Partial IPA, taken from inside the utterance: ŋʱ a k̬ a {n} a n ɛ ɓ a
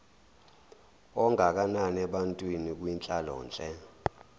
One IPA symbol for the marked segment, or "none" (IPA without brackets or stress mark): n